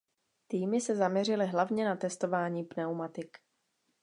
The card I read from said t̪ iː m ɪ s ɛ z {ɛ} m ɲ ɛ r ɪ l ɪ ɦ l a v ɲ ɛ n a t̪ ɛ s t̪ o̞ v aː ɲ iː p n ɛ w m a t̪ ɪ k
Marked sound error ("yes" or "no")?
yes